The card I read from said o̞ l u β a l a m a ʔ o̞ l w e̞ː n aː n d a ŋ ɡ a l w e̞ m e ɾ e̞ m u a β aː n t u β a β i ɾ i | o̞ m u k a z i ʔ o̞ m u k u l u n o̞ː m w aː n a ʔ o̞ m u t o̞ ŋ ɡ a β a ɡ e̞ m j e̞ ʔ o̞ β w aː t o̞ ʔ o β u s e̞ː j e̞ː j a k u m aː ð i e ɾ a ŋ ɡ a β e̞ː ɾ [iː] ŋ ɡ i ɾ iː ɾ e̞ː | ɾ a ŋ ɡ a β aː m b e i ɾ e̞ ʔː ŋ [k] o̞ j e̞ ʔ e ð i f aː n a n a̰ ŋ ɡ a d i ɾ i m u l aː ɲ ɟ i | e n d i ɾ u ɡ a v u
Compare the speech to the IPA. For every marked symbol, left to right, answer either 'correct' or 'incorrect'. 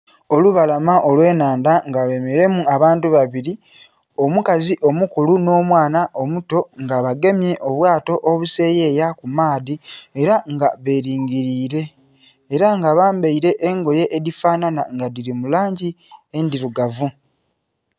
correct, incorrect

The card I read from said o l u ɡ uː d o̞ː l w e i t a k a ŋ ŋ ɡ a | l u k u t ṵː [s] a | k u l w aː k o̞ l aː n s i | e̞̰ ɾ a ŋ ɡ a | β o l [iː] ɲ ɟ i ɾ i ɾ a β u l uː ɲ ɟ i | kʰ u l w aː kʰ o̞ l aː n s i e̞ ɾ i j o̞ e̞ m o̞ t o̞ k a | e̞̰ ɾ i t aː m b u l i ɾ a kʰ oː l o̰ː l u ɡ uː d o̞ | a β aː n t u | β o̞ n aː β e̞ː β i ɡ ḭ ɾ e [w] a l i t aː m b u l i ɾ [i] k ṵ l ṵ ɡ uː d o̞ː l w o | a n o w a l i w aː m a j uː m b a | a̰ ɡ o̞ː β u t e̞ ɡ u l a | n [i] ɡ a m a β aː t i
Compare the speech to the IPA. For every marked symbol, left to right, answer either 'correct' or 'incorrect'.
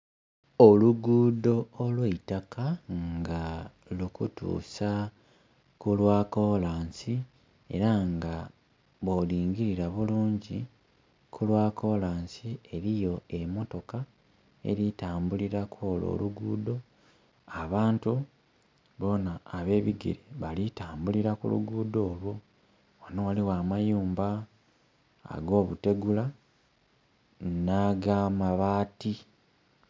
correct, correct, incorrect, incorrect, incorrect

